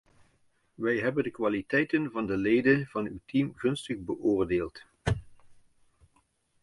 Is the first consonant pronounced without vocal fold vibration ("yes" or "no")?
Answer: no